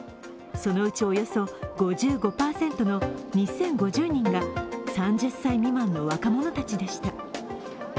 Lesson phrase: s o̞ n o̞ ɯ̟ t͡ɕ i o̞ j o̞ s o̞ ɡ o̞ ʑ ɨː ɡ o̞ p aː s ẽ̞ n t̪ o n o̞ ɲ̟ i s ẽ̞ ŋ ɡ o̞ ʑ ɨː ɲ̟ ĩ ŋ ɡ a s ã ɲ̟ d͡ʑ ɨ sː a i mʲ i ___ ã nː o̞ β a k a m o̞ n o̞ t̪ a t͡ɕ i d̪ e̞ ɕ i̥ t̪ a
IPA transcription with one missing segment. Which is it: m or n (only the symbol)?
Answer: m